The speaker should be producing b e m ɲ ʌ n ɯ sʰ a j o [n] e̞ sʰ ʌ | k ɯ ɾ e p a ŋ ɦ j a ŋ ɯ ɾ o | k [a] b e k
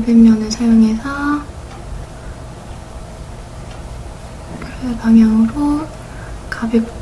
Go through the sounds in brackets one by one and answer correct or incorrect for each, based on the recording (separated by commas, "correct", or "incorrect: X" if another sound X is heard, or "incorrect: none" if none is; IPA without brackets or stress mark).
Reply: incorrect: ŋ, correct